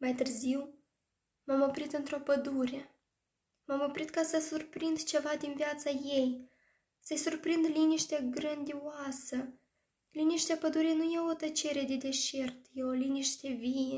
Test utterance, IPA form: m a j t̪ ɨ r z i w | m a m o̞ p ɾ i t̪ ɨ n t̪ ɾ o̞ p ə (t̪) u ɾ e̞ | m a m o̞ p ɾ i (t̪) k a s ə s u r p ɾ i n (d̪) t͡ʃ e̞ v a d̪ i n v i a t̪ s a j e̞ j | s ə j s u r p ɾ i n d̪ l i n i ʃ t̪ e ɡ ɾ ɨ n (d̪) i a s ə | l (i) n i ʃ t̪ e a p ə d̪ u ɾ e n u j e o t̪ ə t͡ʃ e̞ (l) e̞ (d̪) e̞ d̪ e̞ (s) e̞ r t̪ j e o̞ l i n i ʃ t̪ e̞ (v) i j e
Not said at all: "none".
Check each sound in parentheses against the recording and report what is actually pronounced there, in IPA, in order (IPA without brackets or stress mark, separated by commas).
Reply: d̪, t̪, d̪, d̪, i, ɾ, d̪, ʃ, v